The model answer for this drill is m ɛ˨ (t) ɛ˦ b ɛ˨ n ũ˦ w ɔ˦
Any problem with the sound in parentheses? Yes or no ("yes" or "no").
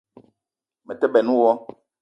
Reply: no